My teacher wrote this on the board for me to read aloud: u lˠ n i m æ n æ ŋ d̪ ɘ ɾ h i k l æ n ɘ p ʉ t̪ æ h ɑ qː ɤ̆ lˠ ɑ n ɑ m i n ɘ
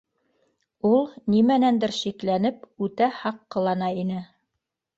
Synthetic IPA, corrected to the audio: u lˠ n i m æ n æ n d̪ ɘ ɾ ʃ i k l æ n ɘ p ʉ t̪ æ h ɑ qː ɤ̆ lˠ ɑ n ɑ i n ɘ